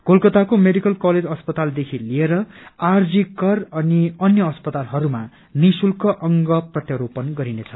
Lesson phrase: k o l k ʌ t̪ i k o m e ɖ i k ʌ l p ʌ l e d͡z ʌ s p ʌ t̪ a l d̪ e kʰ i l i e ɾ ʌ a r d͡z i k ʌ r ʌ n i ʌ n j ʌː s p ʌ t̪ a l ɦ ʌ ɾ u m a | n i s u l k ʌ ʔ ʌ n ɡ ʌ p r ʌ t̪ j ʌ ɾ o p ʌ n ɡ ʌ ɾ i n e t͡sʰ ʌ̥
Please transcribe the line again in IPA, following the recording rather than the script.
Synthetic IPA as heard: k o l k ʌ t̪ a k o m e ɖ i k ʌ l k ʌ l e d͡z ʌ s p ʌ t̪ a l d̪ e kʰ i l i e ɾ ʌ a r d͡z i k ʌ r ʌ n i ʌ n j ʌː s p ʌ t̪ a l ɦ ʌ ɾ u m a | n i s u l k ʌ ʔ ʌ ŋ ɡ ʌ p r ʌ t̪ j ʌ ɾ o p ʌ n ɡ ʌ ɾ i n e t͡sʰ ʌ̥